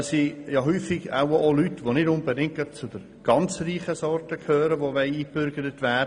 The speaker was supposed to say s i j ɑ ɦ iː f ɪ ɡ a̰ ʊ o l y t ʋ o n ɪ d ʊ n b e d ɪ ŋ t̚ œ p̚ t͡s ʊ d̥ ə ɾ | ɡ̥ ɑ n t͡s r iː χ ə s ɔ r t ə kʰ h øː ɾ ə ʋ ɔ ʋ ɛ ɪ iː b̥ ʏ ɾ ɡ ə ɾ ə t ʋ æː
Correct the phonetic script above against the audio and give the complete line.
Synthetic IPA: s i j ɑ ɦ yː f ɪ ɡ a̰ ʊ o l y t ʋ o n ɪ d ʊ n b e d ɪ ŋ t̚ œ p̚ t͡s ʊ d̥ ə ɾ | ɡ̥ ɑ n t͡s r iː χ ə s ɔ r t ə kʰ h øː ɾ ə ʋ o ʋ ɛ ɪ iː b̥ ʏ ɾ ɡ ə ɾ ə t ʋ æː